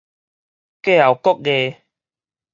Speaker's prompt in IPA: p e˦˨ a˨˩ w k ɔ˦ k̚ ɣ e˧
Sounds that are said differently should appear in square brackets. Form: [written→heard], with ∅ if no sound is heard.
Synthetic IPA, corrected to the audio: [p→k] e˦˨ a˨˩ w k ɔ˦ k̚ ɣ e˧